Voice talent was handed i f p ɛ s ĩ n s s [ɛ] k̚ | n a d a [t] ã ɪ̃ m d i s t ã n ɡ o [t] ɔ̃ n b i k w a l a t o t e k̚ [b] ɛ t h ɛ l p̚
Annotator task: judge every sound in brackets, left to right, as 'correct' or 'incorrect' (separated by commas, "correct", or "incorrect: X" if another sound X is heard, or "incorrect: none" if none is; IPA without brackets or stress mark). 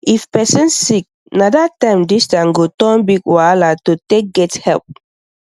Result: incorrect: i, correct, correct, incorrect: ɡ